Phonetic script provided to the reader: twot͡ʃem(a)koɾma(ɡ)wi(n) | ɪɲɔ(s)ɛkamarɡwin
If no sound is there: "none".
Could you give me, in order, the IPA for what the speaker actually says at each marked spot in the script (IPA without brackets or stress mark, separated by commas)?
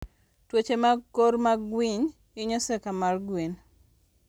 a, ɡ, ɲ, s